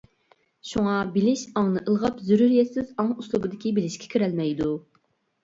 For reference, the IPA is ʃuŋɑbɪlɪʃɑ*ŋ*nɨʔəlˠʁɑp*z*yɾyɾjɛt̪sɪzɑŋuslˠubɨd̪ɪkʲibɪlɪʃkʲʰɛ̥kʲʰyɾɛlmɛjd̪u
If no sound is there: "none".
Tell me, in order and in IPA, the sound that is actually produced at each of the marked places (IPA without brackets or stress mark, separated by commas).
ŋ, z